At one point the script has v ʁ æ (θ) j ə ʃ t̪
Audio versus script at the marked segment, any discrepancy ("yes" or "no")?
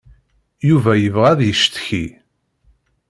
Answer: yes